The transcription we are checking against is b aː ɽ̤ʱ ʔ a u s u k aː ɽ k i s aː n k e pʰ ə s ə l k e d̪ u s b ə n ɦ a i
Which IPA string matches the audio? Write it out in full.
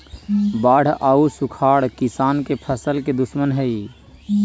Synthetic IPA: b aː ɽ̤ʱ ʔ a u s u kʰ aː ɽ k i s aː n k e pʰ ə s ə l k e d̪ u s m ə n ɦ ə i

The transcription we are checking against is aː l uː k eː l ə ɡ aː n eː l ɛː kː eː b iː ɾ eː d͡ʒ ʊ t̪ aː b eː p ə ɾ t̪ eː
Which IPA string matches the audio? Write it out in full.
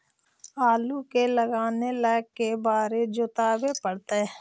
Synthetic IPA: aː l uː k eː l ə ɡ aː n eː l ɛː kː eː b aː ɾ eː d͡ʒ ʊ t̪ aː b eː p ə ɽ t̪ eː

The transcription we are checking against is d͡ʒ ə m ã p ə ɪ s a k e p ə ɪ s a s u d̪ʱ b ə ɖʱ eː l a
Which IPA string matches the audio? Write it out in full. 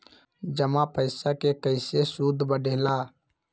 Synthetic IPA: d͡ʒ ə m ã p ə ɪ s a k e k ə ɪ s e s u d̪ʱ b ə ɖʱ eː l a

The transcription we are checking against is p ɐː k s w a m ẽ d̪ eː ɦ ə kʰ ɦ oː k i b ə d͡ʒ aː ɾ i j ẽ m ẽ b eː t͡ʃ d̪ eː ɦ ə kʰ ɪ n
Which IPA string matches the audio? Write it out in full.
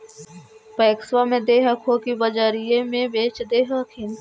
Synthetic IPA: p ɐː k s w a m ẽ d̪ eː ɦ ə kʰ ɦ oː k i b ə d͡ʒ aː ɾ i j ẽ m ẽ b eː t͡ʃ d̪ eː ɦ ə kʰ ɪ n

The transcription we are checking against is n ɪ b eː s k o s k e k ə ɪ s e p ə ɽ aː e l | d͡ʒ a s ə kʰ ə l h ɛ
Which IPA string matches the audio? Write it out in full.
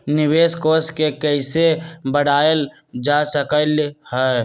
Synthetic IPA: n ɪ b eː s k o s k e k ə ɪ s e b ə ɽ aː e l | d͡ʒ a s ə k ə l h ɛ

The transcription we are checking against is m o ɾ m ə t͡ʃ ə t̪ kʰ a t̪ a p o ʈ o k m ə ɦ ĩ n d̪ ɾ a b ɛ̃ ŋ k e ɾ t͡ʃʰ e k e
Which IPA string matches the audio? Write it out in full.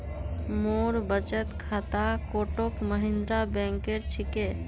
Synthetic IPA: m o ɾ b ə t͡ʃ ə t̪ kʰ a t̪ a k o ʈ o k m ə ɦ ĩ n d̪ ɾ a b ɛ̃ ŋ k e ɾ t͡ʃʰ i k e

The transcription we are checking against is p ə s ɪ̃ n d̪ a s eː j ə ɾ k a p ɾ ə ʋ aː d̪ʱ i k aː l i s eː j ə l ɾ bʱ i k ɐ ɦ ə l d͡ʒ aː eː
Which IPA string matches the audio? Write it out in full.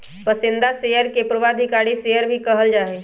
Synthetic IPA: p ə s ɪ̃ n d̪ a s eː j ə ɾ k e p ɾ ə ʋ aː d̪ʱ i k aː ɽ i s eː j ə ɾ bʱ i k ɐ ɦ ə l d͡ʒ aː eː

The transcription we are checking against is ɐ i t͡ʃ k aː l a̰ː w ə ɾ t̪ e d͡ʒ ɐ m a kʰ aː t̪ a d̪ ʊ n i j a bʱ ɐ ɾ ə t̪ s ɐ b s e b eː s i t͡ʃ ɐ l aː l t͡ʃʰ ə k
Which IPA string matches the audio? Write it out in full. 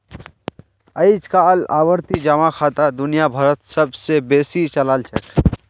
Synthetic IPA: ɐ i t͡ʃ k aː l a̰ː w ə ɾ t̪ i d͡ʒ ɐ m a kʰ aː t̪ a d̪ ʊ n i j a bʱ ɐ ɾ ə t̪ s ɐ b s e b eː s i t͡ʃ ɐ l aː l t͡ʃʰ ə k

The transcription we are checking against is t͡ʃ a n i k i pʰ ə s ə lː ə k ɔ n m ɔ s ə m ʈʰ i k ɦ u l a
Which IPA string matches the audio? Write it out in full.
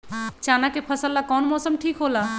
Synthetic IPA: t͡ʃ a n a k e pʰ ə s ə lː a k ɔ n m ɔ s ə m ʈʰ i k ɦ o l a

